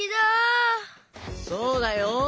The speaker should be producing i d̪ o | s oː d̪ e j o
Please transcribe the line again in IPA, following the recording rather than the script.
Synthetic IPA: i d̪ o | s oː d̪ a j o